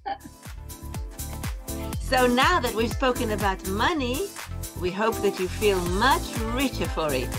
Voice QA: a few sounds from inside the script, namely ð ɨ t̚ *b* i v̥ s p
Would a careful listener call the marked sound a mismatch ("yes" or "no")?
yes